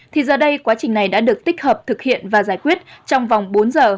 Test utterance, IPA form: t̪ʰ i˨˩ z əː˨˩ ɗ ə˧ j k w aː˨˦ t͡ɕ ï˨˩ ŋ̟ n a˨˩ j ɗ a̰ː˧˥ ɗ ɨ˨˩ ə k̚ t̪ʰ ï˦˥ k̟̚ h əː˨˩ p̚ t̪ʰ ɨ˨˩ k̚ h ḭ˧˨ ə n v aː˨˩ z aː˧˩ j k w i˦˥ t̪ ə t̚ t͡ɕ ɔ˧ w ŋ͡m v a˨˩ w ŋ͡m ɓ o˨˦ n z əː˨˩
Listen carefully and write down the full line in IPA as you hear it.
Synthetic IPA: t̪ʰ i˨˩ z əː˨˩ ɗ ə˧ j k w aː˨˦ t͡ɕ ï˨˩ ŋ̟ n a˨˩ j ɗ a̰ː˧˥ ɗ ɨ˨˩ ə k̚ t̪ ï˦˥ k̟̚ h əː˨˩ p̚ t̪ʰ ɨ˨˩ k̚ h ḭ˧˨ ə n v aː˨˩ z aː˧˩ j k w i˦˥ ə t̚ t͡ɕ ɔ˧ w ŋ͡m v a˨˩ w ŋ͡m ɓ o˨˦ n z əː˨˩